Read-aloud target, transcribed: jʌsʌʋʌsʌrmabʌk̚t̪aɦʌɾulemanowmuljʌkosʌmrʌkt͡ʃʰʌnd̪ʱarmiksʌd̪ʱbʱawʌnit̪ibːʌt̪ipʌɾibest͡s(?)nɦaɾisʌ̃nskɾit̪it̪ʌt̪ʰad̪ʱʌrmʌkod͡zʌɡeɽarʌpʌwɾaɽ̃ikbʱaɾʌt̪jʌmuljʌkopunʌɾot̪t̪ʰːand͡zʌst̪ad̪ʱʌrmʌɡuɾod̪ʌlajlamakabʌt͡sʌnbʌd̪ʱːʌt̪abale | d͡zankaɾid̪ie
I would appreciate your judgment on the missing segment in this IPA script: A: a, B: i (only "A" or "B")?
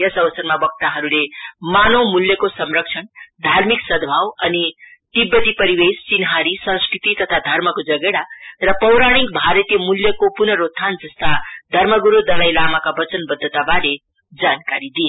B